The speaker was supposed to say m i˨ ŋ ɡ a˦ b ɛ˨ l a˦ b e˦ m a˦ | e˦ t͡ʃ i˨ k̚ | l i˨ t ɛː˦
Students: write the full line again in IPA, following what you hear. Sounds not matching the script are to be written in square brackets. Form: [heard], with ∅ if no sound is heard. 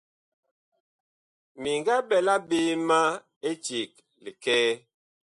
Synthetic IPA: m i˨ ŋ ɡ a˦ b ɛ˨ l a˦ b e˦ m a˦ | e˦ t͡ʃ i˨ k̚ | l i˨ [k] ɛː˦